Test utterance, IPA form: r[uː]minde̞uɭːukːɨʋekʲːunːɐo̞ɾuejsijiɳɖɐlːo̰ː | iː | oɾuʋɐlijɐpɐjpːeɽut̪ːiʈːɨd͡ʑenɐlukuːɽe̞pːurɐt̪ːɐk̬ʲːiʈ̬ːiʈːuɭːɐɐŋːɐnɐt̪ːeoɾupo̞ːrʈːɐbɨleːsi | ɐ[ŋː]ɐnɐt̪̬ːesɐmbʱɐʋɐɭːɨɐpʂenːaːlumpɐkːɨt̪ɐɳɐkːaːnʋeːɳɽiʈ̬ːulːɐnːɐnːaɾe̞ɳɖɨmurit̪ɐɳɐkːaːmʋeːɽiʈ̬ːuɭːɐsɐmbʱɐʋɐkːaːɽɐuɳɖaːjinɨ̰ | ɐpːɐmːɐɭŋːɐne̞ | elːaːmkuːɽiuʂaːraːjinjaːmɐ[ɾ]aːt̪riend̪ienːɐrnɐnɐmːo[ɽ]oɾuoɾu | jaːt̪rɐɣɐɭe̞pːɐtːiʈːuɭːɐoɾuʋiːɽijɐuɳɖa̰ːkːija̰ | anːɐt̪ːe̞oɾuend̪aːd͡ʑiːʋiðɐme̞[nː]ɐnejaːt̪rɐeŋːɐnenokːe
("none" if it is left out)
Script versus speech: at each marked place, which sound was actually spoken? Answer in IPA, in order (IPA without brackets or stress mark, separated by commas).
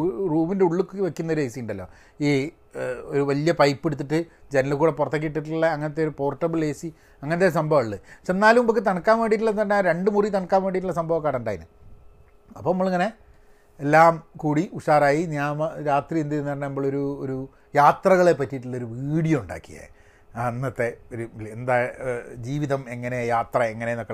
uː, ŋː, ɾ, ɭ, ŋː